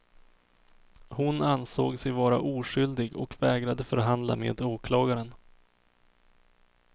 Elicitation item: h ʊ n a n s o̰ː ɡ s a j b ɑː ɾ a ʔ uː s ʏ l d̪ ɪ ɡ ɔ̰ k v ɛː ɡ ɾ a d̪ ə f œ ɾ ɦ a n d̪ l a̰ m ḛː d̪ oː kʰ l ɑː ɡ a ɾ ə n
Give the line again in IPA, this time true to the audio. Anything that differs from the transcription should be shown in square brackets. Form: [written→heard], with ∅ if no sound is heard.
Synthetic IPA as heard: h ʊ n a n s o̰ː ɡ s [a→ɛ] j [b→v] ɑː ɾ a ʔ uː [s→ʂ] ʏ l d̪ ɪ ɡ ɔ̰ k v ɛː ɡ ɾ a d̪ ə f œ ɾ ɦ a n d̪ l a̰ m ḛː d̪ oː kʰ l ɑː ɡ a ɾ ə n

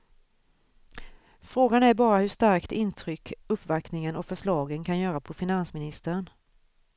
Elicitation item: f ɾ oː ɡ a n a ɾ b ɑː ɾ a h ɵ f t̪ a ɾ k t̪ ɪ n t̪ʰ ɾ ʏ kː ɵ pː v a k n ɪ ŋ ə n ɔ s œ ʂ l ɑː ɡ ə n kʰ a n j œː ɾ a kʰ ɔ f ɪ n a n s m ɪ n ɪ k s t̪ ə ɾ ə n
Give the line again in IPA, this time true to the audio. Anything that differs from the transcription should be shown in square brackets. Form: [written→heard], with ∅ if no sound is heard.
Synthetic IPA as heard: f ɾ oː ɡ a n [a→æ] ɾ b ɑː ɾ a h ɵ [f→ʂ] t̪ a ɾ k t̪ ɪ n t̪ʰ ɾ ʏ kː ɵ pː v a k n ɪ ŋ ə n ɔ [s→f] œ ʂ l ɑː ɡ ə n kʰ a n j œː ɾ a [kʰ→pʰ] ɔ f ɪ n a n s m ɪ n ɪ [k→∅] s t̪ ə ɾ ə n

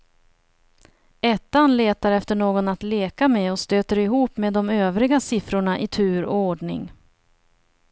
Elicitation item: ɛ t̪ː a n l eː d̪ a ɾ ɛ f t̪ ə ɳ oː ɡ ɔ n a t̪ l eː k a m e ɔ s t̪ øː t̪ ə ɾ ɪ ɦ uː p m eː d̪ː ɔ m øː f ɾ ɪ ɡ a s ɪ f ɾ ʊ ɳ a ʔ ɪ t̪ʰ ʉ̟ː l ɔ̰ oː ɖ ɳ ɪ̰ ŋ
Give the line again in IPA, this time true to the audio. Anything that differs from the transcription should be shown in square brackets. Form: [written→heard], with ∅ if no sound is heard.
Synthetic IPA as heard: ɛ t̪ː a n l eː [d̪→t̪] a ɾ ɛ f t̪ ə ɳ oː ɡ ɔ n a t̪ l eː k a m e ɔ s t̪ øː t̪ ə ɾ ɪ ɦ uː p m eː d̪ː ɔ m øː [f→v] ɾ ɪ ɡ a s ɪ f ɾ ʊ ɳ a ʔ ɪ t̪ʰ ʉ̟ː [l→ɾ] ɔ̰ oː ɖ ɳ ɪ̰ ŋ

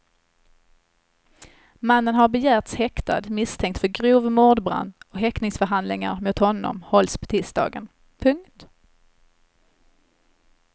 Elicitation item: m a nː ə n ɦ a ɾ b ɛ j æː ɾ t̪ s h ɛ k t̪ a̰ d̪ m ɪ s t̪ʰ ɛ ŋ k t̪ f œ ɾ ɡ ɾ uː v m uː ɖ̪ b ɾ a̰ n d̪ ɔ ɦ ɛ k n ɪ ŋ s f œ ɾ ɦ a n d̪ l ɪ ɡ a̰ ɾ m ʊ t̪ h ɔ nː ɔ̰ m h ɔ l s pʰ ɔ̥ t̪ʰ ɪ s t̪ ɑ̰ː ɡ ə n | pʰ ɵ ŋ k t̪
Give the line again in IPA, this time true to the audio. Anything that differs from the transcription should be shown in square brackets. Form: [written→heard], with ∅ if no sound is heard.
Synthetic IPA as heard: m a nː ə n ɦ a ɾ b ɛ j æː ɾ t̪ s h ɛ k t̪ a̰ d̪ m ɪ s t̪ʰ ɛ ŋ k t̪ f œ ɾ ɡ ɾ uː v m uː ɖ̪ b ɾ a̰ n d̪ ɔ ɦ ɛ k n ɪ ŋ s f œ ɾ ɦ a n d̪ l ɪ [ɡ→ŋ] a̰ ɾ m ʊ t̪ h ɔ nː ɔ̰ m h ɔ l s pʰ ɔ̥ t̪ʰ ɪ s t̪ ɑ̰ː ɡ ə n | pʰ ɵ ŋ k t̪

